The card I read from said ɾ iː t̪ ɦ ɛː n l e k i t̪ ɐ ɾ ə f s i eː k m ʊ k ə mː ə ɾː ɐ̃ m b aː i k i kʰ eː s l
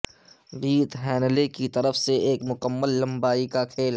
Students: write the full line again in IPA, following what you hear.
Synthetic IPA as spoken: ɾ iː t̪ ɦ ɛː n l e k i t̪ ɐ ɾ ə f s e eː k m ʊ k ə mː ə lː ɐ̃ m b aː i k a kʰ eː l